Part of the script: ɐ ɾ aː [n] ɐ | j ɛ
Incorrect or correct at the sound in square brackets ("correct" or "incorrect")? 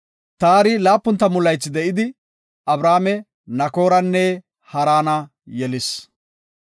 correct